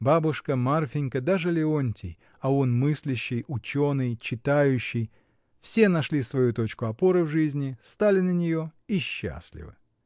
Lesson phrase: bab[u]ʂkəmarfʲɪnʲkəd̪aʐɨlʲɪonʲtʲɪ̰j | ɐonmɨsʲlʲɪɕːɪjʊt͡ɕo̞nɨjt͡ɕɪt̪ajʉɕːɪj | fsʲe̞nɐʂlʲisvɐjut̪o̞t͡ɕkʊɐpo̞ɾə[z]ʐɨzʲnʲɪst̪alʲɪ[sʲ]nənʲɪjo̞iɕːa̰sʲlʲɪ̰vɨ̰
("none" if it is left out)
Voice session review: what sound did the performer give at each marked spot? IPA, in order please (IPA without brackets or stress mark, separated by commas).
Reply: ʊ, v, none